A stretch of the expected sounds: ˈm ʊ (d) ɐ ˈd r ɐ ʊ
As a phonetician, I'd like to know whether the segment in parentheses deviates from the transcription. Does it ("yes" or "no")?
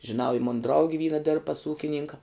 yes